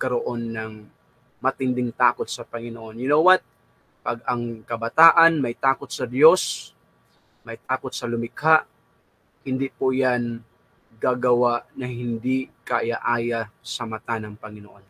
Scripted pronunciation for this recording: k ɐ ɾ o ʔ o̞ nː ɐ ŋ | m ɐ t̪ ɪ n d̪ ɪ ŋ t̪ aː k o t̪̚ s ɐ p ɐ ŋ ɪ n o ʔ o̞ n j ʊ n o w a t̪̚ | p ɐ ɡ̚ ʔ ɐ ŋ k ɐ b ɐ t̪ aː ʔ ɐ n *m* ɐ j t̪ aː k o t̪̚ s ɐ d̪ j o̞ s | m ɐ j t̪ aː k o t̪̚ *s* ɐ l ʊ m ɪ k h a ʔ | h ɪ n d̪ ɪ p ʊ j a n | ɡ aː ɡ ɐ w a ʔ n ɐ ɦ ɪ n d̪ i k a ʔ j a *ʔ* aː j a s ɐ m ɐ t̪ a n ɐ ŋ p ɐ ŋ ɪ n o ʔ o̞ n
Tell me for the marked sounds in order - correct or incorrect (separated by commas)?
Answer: correct, correct, correct